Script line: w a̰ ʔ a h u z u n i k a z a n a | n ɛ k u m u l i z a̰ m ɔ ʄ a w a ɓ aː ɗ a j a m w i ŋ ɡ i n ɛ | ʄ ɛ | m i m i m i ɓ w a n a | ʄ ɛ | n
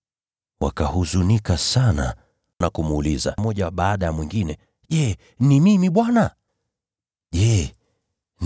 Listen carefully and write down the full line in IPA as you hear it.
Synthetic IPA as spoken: w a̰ k a h u z u n i k a s a n a | n a k u m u l i z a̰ m ɔ ʄ a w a ɓ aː ɗ a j a m w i ŋ ɡ i n ɛ | ʄ ɛ | n i m i m i ɓ w a n a | ʄ ɛ | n